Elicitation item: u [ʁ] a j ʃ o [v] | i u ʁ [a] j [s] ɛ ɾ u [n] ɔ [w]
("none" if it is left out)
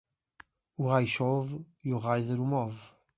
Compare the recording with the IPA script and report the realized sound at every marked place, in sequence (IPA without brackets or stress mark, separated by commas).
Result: ʁ, v, a, z, m, v